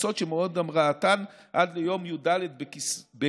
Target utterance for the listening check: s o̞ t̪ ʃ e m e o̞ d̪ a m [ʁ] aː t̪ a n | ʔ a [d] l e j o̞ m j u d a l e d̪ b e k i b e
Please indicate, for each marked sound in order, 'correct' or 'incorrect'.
correct, correct

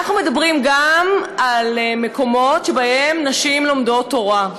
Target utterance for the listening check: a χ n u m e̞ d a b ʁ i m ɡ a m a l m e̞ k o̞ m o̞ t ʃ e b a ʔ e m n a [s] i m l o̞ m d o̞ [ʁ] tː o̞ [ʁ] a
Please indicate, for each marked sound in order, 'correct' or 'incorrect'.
incorrect: ʃ, incorrect: none, correct

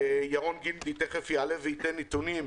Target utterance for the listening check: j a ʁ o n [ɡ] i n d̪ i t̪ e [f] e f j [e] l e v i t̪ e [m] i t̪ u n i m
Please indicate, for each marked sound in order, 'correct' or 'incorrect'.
correct, incorrect: χ, incorrect: a, incorrect: n

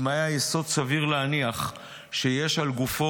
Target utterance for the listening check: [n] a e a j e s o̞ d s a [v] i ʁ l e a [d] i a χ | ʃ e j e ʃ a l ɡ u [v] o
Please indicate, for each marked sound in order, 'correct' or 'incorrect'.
incorrect: m, correct, incorrect: n, incorrect: f

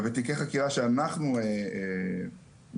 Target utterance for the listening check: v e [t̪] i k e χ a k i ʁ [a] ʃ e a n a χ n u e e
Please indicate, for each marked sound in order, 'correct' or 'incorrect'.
correct, correct

